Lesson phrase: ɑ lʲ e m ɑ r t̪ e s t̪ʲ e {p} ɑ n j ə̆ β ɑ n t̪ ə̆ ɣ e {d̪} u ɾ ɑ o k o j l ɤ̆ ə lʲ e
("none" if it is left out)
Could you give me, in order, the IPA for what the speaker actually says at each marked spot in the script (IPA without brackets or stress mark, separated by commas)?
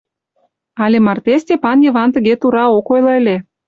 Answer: p, t̪